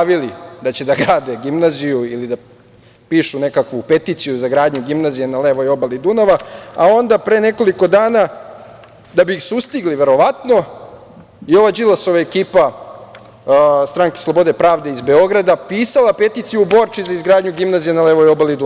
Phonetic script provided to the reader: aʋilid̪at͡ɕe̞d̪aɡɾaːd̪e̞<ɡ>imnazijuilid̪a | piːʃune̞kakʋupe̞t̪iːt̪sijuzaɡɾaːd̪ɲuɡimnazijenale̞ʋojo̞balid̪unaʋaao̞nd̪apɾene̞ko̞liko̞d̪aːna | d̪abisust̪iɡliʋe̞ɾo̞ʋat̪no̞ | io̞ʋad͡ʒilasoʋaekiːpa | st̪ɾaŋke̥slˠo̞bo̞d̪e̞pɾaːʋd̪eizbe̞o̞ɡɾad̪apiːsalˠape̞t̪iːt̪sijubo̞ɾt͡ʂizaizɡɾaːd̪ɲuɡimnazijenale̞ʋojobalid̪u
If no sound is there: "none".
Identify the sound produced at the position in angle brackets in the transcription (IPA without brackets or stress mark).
ɡ